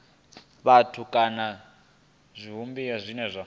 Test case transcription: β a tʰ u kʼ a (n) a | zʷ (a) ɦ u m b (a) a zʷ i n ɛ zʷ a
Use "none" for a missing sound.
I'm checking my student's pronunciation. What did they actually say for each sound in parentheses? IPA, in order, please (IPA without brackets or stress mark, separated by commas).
n, i, i